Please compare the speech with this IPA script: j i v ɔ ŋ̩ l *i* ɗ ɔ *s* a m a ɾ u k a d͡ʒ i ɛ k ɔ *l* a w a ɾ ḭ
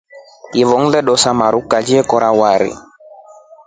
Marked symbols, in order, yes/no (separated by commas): no, yes, no